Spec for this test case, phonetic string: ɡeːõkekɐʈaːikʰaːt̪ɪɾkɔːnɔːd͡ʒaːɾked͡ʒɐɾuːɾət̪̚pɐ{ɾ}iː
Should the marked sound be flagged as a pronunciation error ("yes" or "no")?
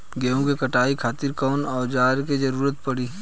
yes